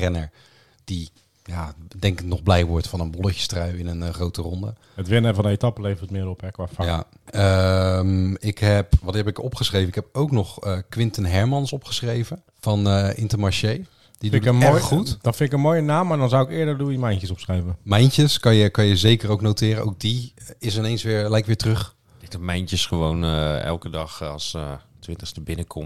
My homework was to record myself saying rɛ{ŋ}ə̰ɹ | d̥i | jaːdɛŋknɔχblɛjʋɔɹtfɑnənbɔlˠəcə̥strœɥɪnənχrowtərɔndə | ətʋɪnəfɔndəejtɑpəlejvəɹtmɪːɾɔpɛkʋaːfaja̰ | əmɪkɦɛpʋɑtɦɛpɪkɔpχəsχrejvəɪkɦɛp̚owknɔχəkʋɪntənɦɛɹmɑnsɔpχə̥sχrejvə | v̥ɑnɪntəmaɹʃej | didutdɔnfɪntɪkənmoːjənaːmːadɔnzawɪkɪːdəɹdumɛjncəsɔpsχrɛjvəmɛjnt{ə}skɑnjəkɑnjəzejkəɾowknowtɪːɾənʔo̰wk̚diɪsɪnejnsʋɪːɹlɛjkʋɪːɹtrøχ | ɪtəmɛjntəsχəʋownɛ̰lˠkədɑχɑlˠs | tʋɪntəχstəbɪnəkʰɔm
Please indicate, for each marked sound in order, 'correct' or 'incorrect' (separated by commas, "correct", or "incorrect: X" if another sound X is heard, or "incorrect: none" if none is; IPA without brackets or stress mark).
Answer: incorrect: n, correct